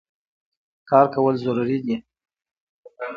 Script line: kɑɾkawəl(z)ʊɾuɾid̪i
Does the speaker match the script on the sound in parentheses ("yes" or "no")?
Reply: yes